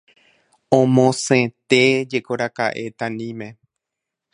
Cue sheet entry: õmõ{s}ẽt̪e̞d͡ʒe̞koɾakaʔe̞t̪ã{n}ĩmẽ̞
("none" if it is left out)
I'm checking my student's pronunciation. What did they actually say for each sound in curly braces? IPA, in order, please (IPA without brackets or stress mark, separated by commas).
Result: s, n